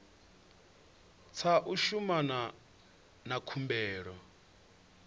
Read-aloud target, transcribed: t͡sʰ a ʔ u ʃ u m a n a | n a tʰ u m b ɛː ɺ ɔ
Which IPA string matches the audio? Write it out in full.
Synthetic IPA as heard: t͡sʰ a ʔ u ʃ u m a n a | n a kʰ u m b ɛː ɺ ɔ